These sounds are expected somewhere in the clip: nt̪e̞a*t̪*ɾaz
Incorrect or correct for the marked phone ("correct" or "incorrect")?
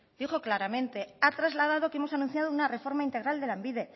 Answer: correct